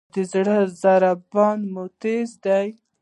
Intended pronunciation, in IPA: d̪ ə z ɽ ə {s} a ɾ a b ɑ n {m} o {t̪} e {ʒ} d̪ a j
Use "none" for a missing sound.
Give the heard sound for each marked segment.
z, m, t̪, z

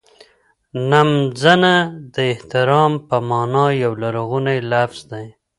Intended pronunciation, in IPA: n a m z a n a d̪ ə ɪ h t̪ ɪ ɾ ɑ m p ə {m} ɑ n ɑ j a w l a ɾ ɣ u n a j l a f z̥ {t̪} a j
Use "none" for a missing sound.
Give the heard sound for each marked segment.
m, d̪

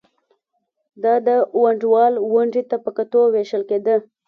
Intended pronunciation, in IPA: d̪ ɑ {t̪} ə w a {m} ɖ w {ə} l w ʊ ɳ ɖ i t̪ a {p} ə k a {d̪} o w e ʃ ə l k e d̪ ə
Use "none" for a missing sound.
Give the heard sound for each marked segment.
d̪, ɳ, ɑ, p, t̪

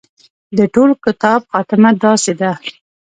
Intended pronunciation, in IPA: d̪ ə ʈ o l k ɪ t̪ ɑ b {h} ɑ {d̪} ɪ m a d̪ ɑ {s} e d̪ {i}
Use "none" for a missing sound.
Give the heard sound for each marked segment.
x, t̪, s, a

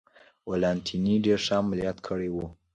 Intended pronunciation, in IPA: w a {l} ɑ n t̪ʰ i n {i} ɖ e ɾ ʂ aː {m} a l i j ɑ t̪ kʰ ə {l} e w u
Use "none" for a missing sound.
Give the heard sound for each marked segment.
l, i, m, ɽ

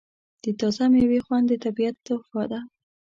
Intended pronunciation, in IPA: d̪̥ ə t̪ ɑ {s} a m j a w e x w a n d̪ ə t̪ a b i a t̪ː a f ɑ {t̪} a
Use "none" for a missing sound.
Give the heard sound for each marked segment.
z, d̪

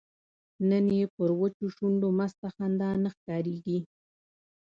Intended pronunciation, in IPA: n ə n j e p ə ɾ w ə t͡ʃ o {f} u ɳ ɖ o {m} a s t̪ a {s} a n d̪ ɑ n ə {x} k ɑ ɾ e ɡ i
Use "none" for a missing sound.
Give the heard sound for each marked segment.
ʃ, m, x, x

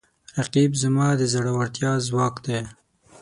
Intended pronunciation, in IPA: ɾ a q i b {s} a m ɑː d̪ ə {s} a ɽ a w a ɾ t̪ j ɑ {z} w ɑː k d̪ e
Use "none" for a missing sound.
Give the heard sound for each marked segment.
z, z, z

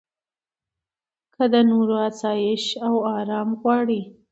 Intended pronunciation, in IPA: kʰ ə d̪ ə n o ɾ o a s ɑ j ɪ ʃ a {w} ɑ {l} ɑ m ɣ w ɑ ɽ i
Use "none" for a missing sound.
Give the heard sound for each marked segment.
w, ɾ

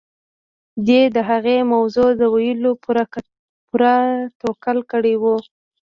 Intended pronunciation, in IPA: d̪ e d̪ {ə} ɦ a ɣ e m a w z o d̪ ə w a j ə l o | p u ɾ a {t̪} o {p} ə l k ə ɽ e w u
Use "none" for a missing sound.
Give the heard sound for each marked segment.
ə, t̪, k

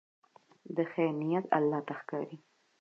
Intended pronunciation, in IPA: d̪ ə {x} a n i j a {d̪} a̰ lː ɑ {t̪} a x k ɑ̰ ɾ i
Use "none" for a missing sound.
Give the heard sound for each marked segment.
x, t̪, t̪

